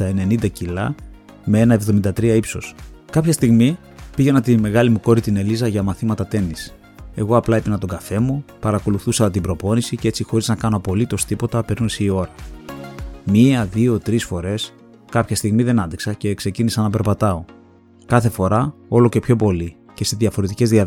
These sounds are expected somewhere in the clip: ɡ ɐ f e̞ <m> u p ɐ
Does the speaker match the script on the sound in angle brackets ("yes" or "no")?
yes